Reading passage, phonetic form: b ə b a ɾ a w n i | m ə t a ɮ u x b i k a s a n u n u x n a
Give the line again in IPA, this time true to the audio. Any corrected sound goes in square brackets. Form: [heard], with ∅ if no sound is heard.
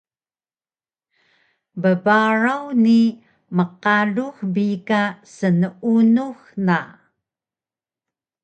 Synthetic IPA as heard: b ə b a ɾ a w n i | m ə [q] a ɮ u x b i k a s [ə] n u n u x n a

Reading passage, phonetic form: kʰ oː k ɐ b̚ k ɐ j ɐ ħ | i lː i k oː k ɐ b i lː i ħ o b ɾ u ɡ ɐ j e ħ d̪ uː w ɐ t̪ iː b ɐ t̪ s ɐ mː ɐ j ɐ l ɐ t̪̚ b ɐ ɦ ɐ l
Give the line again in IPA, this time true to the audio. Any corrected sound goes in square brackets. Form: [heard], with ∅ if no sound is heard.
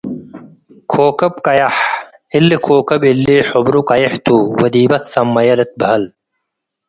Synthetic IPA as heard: kʰ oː k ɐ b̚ k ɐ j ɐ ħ | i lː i [kʰ] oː k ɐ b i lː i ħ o b ɾ u [k] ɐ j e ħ [t̪] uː w ɐ [d̪] iː b ɐ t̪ s ɐ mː ɐ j ɐ l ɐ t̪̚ b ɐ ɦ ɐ l

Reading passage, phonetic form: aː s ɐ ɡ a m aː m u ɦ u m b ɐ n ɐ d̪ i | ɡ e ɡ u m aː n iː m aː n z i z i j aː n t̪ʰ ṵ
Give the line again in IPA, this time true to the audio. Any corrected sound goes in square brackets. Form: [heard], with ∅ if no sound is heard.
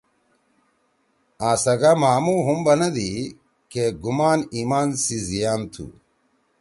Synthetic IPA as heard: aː s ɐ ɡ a m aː m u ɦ u m b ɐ n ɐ d̪ i | [k] e ɡ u m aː n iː m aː n [s] i z i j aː n t̪ʰ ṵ

